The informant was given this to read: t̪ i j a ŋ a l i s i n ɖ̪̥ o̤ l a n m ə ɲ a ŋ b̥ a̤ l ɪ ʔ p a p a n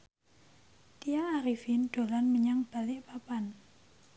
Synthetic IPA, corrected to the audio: t̪ i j a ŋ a ɾ i f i n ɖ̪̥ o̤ l a n m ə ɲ a ŋ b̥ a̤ l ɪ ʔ p a p a n